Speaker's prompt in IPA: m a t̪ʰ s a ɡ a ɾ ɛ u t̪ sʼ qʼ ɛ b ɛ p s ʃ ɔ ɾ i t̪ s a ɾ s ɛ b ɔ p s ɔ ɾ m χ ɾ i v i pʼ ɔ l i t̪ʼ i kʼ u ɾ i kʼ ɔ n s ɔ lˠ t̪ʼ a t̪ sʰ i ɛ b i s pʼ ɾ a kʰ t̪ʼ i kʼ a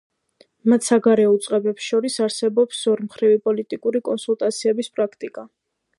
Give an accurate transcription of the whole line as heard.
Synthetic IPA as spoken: m a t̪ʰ s a ɡ a ɾ ɛ u t̪ sʼ qʼ ɛ b ɛ p s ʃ ɔ ɾ i s a ɾ s ɛ b ɔ p s ɔ ɾ m χ ɾ i v i pʼ ɔ l i t̪ʼ i kʼ u ɾ i kʼ ɔ n s u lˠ t̪ʼ a t̪ sʰ i ɛ b i s pʼ ɾ a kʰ t̪ʼ i kʼ a